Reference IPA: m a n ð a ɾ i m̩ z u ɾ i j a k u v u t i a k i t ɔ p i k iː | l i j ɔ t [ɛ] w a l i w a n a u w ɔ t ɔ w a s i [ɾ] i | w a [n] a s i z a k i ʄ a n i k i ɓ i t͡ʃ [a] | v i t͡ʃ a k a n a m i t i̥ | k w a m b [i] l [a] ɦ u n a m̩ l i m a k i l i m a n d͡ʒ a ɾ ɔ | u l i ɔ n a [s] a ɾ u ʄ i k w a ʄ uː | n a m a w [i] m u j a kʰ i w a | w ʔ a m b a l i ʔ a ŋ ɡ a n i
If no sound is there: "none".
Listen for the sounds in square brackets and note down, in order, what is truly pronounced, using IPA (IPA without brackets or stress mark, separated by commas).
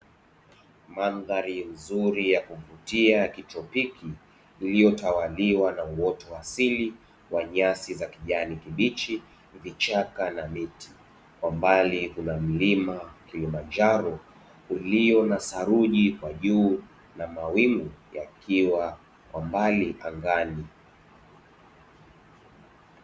a, l, ɲ, i, a, i, s, i